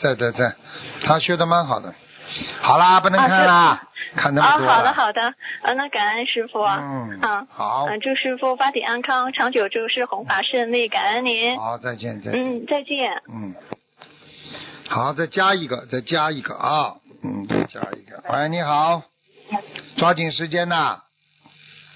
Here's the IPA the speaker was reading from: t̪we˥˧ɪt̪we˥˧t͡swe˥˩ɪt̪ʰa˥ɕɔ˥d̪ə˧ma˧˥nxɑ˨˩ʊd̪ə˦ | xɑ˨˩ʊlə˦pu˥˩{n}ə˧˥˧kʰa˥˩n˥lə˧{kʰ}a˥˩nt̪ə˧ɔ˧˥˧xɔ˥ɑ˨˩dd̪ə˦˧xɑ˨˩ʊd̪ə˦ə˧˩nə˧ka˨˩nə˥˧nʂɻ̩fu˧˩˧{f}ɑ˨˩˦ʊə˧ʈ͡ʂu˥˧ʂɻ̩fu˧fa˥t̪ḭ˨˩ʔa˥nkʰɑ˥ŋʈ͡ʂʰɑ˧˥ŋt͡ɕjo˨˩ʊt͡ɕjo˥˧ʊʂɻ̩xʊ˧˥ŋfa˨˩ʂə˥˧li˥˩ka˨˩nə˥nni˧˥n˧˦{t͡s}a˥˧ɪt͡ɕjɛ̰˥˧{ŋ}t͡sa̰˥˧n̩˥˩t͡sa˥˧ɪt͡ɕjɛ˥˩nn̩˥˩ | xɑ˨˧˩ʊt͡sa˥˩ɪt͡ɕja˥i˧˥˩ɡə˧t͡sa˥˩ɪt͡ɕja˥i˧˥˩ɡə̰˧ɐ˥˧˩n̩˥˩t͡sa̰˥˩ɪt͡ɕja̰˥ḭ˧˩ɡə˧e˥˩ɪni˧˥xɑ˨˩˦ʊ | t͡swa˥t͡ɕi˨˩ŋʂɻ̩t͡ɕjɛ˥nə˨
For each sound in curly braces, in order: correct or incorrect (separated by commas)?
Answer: correct, correct, incorrect, correct, incorrect